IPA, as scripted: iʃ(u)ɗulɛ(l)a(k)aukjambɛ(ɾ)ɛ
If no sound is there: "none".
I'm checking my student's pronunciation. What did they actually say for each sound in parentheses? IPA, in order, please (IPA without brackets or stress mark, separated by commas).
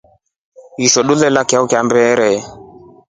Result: ɔ, l, k, ɾ